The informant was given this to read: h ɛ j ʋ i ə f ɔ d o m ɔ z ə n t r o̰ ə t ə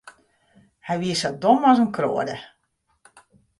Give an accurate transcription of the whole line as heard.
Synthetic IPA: h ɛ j ʋ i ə s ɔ d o m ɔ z ə n k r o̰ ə d ə

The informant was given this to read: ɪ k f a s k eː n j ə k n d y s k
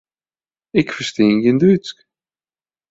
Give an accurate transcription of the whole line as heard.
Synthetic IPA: ɪ k f ə s t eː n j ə n d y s k

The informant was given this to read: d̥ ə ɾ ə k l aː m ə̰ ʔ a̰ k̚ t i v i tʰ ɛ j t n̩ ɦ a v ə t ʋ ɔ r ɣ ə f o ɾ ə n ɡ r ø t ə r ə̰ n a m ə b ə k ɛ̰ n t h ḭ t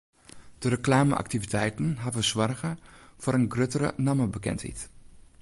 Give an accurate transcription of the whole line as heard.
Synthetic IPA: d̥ ə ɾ ə k l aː m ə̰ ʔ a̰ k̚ t i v i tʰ ɛ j t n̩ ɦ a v ə s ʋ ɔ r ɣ ə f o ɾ ə n ɡ r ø t ə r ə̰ n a m ə b ə k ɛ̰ n t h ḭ t

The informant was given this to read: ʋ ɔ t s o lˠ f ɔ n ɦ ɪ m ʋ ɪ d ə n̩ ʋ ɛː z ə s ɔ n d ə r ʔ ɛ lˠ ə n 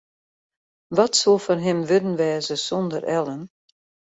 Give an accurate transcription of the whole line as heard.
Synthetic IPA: ʋ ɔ t s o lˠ f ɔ n ɦ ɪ m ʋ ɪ d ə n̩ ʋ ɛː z ə s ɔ n d ə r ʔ ɛ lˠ ə n

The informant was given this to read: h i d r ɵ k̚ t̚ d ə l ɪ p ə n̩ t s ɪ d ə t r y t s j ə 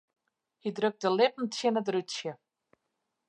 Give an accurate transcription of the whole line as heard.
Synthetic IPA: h i d r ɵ k̚ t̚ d ə l ɪ p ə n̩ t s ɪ n ə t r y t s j ə

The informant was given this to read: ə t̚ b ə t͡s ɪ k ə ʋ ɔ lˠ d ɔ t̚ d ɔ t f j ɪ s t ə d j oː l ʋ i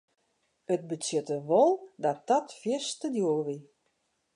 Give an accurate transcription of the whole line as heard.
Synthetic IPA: ə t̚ b ə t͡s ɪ t ə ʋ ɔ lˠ d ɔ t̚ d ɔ t f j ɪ s t ə d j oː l ʋ i

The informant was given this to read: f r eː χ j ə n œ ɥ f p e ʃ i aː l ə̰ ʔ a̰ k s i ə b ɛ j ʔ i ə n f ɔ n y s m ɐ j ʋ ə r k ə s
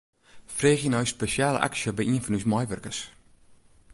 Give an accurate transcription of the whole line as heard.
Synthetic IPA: f r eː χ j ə n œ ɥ s p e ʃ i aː l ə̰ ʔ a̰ k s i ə b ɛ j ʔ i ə n f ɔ n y s m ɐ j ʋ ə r k ə s

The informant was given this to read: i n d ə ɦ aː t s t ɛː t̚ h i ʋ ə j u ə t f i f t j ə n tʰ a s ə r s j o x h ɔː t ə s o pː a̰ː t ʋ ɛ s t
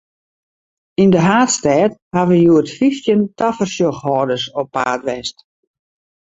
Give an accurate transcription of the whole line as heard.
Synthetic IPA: i n d ə ɦ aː t s t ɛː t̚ h a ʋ ə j u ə t f i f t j ə n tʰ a f ə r s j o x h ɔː d ə s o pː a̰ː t ʋ ɛ s t

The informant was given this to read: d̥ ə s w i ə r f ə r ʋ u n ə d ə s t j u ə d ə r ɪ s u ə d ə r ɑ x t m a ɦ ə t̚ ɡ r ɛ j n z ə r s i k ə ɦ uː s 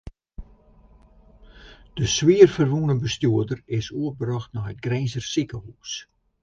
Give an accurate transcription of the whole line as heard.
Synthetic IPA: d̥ ə s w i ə r f ə r ʋ u n ə b ə s t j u ə d ə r ɪ s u ə b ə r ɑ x t n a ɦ ə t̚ ɡ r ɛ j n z ə r s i k ə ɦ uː s

